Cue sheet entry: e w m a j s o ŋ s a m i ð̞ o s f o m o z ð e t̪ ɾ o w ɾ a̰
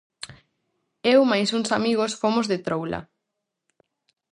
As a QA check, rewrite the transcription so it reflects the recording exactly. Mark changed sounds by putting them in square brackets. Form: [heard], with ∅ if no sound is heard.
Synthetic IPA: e w m a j s [u] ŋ s a m i [ɣ̞] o s f o m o z ð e t̪ ɾ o w [l] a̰